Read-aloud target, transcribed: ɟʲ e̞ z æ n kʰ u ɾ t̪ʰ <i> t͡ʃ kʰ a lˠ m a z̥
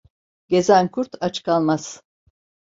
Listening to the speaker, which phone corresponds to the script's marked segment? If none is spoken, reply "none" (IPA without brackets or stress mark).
a